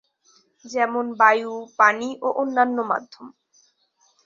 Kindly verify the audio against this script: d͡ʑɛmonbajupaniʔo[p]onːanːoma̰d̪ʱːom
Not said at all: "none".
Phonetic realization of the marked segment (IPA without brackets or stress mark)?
ʔ